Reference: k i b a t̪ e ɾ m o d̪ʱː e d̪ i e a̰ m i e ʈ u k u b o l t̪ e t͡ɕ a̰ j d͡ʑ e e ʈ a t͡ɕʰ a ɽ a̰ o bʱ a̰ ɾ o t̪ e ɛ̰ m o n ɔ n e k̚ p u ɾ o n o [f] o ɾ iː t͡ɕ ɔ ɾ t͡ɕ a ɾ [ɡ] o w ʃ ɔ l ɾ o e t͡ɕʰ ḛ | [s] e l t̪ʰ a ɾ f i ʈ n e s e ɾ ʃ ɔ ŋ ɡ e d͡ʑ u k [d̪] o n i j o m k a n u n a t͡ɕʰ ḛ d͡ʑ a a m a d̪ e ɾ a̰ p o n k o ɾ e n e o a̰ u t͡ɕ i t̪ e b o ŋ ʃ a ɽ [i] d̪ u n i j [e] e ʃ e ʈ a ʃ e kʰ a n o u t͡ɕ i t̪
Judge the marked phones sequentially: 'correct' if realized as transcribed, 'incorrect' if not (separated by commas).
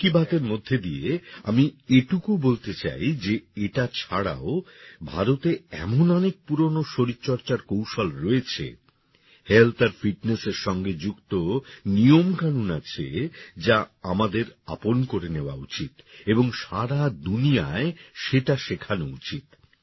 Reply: incorrect, incorrect, incorrect, incorrect, incorrect, incorrect